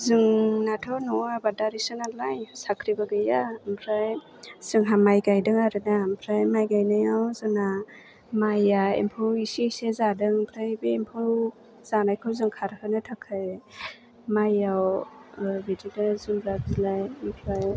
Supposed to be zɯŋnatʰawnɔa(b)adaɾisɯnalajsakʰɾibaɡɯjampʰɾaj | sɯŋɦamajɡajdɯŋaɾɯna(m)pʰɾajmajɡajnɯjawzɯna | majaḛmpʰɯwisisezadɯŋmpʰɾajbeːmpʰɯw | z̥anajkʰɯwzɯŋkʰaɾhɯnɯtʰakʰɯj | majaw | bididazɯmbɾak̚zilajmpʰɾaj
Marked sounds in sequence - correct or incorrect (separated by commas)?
correct, correct